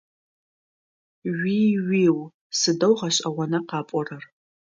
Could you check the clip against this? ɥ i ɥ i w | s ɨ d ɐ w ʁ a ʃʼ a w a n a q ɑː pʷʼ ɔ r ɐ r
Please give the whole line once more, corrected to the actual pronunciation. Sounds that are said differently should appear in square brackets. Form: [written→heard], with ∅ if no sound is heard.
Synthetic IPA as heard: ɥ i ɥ i w | s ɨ d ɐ w ʁ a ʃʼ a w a n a q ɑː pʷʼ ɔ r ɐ r